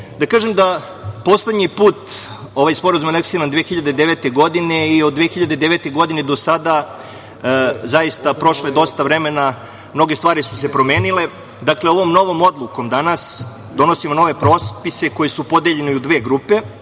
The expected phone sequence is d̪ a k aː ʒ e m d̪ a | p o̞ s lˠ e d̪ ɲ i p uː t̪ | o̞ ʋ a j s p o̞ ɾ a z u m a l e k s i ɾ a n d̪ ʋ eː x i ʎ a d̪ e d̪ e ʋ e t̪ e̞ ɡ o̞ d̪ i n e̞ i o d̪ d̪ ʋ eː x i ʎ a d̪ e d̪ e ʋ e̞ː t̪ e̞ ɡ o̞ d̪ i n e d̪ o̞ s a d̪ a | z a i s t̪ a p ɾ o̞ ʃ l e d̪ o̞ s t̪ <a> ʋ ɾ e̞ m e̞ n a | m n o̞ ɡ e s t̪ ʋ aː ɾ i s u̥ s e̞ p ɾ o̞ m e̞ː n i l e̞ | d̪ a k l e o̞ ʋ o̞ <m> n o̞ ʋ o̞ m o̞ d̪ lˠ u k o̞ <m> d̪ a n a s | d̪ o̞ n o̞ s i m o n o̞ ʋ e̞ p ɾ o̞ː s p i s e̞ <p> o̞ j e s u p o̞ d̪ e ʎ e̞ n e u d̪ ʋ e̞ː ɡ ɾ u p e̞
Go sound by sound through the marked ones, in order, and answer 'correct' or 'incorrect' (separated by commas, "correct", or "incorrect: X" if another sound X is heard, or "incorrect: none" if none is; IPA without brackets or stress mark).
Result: correct, correct, correct, incorrect: k